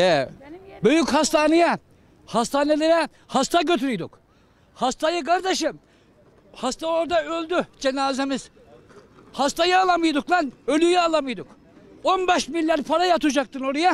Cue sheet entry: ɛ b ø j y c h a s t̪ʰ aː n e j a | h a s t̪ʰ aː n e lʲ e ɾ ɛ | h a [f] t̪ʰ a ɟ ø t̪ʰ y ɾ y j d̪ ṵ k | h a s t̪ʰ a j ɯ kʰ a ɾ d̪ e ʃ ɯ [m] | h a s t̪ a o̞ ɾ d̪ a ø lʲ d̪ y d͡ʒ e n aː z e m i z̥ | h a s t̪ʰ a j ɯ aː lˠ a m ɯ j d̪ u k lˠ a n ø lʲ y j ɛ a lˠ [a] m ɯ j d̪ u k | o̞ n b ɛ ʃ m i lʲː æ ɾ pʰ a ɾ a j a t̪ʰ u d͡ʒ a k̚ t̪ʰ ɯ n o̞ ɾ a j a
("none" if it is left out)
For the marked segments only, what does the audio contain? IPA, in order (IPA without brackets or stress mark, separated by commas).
s, m, a